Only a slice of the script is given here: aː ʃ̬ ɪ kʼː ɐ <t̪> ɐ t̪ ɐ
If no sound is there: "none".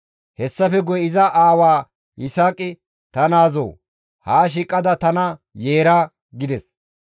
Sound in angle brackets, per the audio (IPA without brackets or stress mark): d̪